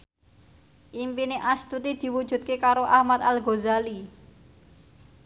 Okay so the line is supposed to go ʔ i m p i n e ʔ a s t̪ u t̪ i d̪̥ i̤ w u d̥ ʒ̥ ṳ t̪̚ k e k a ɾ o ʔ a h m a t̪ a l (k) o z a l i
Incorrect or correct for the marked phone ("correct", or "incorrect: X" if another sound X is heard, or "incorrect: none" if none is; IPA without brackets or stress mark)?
incorrect: ɡ